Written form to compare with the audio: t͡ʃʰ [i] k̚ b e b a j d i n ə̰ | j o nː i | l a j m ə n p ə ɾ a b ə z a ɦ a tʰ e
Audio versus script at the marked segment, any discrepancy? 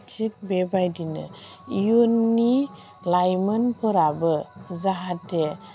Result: no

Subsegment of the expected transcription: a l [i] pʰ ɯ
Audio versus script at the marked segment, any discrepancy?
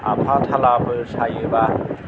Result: yes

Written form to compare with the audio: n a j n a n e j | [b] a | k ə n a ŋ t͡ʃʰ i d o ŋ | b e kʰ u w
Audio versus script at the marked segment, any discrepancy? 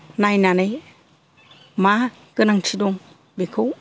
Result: yes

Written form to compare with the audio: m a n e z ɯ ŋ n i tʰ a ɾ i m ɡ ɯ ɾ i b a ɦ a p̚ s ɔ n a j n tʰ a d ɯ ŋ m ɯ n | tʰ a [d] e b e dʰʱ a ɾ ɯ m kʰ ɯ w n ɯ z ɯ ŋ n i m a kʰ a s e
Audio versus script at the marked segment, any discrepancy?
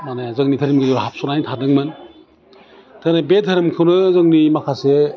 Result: yes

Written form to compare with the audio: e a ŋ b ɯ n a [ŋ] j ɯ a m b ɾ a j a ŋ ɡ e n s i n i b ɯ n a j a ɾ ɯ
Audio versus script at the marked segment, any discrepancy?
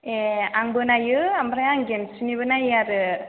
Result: yes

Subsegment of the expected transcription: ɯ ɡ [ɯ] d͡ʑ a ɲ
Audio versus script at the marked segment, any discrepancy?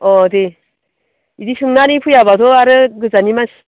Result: no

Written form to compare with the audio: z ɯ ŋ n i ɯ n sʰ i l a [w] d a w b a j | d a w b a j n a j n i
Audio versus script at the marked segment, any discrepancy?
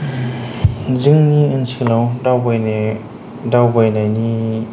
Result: no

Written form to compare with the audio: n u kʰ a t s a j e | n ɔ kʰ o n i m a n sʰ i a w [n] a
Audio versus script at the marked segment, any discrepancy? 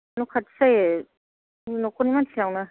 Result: no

